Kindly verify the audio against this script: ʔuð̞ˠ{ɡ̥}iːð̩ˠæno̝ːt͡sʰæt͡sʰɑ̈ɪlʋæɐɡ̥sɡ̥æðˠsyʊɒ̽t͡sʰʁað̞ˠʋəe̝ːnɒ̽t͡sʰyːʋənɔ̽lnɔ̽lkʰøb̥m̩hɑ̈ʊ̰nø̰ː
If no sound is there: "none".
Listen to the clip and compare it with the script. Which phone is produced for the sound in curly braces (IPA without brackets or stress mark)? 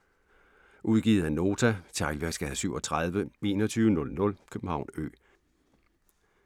ɡ̥